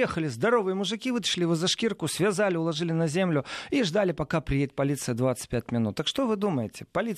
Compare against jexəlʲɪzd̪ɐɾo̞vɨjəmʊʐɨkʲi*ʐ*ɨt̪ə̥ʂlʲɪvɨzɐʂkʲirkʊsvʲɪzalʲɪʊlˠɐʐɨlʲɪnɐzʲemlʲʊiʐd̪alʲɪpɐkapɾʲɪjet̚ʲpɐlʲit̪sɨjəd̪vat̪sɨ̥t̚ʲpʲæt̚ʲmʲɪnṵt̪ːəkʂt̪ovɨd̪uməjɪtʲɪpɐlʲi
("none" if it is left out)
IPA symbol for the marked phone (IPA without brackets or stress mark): v